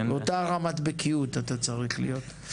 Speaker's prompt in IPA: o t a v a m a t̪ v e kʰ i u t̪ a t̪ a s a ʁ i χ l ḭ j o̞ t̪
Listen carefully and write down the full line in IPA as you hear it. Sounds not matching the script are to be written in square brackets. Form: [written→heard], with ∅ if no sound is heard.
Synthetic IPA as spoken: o t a [v→ʁ] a m a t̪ [v→b] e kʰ i u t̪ a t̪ a [s→t͡s] a ʁ i χ l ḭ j o̞ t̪